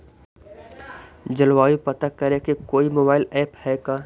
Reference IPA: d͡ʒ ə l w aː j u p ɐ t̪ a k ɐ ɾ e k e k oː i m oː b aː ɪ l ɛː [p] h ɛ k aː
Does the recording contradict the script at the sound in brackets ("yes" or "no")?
no